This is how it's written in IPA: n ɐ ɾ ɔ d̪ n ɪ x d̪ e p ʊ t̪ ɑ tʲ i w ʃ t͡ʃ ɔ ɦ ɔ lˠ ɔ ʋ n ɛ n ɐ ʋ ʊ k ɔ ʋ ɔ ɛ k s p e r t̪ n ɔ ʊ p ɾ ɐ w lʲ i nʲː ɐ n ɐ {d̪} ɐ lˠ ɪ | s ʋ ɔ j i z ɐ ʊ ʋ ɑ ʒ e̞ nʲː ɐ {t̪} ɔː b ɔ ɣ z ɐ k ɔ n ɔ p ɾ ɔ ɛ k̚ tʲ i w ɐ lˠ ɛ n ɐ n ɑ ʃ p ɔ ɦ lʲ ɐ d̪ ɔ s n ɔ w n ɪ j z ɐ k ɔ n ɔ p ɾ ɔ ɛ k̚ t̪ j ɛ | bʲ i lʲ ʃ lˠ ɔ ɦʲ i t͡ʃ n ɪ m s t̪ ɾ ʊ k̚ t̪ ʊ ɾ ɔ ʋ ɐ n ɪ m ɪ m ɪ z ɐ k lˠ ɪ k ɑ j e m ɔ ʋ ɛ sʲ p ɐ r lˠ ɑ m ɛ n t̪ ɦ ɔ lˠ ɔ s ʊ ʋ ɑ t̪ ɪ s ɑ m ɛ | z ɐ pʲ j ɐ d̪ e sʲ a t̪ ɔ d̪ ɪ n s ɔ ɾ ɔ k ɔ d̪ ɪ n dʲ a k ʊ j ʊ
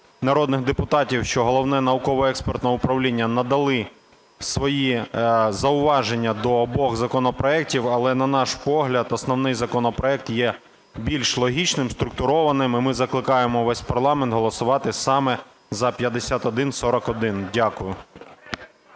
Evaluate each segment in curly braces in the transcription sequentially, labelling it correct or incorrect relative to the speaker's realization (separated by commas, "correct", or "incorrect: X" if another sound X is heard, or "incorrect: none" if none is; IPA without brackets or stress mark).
correct, incorrect: d̪